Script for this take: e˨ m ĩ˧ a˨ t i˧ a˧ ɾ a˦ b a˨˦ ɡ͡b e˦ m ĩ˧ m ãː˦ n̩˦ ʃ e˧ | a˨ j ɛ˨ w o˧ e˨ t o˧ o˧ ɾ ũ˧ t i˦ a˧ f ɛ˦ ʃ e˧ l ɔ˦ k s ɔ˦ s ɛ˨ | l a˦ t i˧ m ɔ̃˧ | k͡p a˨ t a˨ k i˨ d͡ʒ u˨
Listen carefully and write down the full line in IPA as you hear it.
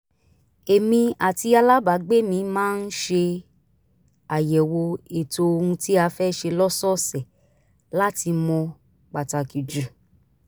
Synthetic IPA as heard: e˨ m ĩ˧ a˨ t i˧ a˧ l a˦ b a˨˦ ɡ͡b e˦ m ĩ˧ m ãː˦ n̩˦ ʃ e˧ | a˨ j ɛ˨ w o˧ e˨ t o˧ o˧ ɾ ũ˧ t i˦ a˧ f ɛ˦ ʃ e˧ l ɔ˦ s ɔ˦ s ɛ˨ | l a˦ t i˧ m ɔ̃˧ | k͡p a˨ t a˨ k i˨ d͡ʒ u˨